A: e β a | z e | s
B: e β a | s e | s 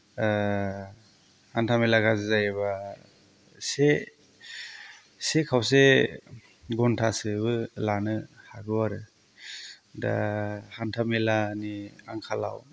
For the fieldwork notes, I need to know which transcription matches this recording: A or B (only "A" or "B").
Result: B